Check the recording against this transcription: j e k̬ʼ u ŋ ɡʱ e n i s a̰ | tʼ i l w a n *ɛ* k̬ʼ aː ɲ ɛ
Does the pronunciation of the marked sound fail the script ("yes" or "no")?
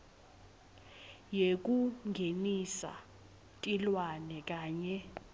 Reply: no